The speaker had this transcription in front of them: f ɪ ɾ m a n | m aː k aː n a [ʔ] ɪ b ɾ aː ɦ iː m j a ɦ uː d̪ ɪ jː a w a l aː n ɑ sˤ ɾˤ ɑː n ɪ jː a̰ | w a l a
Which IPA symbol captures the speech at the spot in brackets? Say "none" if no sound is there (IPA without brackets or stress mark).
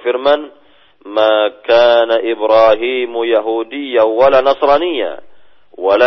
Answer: ʔ